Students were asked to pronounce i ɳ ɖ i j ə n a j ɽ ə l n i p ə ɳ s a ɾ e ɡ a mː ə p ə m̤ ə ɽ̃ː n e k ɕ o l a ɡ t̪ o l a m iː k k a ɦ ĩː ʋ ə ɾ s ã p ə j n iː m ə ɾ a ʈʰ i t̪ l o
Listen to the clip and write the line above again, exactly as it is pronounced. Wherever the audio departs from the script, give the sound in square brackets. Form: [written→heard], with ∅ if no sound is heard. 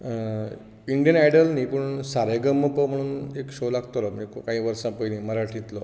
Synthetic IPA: i ɳ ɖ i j ə n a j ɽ ə l n i p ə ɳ s a ɾ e ɡ [a→ə] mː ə p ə m̤ ə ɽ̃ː n e k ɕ o l a ɡ t̪ o l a m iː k k a ɦ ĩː ʋ ə ɾ s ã p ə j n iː m ə ɾ a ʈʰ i t̪ l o